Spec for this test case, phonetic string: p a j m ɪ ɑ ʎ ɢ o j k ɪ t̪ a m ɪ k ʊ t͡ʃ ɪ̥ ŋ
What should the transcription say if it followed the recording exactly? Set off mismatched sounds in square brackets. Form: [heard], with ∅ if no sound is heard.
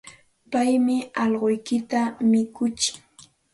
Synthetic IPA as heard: p a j m ɪ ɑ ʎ ɢ o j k ɪ t̪ a m ɪ k ʊ t͡ʃ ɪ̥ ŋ